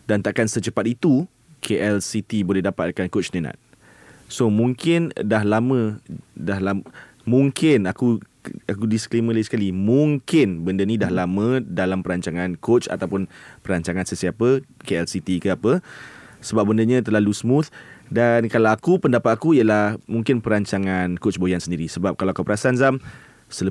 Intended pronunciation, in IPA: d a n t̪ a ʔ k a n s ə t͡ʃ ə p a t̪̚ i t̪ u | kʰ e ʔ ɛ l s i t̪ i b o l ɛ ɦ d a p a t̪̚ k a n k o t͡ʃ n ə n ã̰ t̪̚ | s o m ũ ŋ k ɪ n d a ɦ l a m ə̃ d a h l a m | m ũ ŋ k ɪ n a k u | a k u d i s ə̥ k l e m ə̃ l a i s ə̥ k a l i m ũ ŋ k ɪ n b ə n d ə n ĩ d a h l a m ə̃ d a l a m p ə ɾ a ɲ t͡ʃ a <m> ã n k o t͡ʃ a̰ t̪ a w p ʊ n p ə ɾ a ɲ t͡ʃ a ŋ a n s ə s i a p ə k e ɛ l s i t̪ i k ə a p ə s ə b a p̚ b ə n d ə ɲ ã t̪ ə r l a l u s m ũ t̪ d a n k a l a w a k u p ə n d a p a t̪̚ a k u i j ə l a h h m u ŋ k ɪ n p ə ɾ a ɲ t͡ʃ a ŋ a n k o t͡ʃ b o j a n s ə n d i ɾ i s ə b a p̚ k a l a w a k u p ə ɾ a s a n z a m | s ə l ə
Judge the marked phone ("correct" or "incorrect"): incorrect